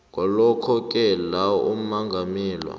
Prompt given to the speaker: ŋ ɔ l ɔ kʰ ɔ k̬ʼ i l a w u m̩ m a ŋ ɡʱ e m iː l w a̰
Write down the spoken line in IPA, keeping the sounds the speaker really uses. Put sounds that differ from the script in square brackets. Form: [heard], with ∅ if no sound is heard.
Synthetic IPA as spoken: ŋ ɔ l ɔ kʰ ɔ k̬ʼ [ɛ] l a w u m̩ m a ŋ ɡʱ [a] m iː l w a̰

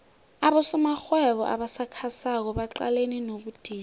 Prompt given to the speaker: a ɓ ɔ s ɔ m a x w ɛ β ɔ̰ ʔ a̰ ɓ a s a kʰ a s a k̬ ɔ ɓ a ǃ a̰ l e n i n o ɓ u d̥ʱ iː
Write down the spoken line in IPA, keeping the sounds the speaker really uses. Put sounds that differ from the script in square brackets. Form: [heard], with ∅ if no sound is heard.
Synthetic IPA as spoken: a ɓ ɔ s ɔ m a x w ɛ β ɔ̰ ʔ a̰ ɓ a s a kʰ a s a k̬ ɔ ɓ a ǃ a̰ l e n i n o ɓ u d̥ʱ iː

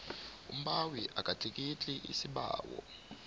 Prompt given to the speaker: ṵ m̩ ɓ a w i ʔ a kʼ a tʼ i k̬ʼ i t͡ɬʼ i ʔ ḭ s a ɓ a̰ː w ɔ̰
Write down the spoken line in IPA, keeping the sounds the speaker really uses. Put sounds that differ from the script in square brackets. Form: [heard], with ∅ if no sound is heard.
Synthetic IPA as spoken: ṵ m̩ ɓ a w i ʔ a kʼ a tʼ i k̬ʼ i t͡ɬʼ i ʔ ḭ s [i] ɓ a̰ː w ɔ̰

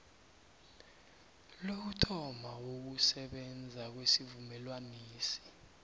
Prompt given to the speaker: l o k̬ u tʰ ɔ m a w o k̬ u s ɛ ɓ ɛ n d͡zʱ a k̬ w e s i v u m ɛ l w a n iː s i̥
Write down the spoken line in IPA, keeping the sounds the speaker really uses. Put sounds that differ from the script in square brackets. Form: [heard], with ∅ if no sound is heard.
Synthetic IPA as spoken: l o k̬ u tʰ ɔ m a w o k̬ u s ɛ ɓ ɛ n d͡zʱ a k̬ w e s i v u m ɛ l w a n iː s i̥

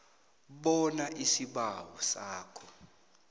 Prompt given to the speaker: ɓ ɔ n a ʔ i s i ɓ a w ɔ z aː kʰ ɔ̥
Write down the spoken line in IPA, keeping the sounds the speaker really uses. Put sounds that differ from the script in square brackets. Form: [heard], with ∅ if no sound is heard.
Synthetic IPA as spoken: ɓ ɔ n a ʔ i s i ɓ a w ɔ [s] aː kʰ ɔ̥

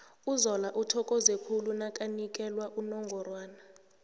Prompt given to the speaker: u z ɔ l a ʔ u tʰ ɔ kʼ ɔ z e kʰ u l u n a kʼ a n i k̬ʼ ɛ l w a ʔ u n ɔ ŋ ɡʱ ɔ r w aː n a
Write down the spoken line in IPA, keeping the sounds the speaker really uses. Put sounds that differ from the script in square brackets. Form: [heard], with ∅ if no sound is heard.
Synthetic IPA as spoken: u z ɔ l a ʔ u tʰ ɔ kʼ ɔ z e kʰ u l u n a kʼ a n i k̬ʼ ɛ l w a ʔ u n ɔ ŋ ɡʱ ɔ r w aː n a

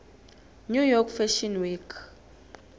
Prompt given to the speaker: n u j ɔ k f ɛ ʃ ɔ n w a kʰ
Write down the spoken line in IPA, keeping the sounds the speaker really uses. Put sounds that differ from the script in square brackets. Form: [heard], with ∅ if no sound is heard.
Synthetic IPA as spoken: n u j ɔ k f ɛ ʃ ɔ n w [i] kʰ

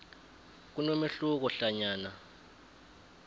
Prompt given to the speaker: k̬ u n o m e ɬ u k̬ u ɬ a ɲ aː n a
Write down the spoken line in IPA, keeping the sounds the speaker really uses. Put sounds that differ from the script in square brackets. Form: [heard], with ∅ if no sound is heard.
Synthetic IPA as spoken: k̬ u n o m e ɬ u k̬ [ɔ] ɬ a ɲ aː n a

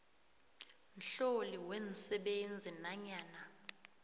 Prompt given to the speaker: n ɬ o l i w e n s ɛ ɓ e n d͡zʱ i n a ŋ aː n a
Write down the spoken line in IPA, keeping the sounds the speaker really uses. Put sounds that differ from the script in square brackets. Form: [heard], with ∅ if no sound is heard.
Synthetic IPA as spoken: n ɬ o l i w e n s ɛ ɓ e n d͡zʱ i n a [ɲ] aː n a

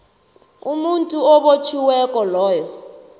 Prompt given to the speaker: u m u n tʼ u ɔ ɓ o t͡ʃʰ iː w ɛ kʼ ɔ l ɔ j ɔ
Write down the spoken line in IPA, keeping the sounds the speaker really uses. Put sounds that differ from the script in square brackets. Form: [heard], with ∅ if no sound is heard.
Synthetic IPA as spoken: u m u n tʼ u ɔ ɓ o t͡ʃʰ [i] w ɛ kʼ ɔ l [ɔː] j ɔ

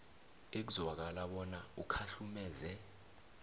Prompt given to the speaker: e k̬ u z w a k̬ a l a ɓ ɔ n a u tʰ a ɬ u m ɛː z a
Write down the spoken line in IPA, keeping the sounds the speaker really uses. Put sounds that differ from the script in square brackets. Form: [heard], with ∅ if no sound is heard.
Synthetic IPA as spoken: e k̬ u z w a k̬ a l a ɓ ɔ n a u [kʰ] a ɬ u m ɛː z [ɛ]

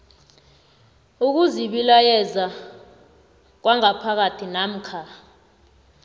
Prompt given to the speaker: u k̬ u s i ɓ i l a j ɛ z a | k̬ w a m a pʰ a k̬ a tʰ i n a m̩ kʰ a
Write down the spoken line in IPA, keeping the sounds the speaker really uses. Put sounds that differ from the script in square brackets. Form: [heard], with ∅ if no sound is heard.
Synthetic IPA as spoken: u k̬ u [z] i ɓ i l a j ɛ z a | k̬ w a [ŋ] a pʰ a k̬ a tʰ i n a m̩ kʰ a

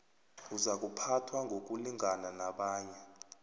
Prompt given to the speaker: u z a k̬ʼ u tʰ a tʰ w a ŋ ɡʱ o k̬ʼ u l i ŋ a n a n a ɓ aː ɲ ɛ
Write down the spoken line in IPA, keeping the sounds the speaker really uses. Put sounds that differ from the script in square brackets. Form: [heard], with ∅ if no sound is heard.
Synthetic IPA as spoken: u z a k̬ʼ u [pʰ] a tʰ w a ŋ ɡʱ o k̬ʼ u l i ŋ a n a n a ɓ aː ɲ ɛ

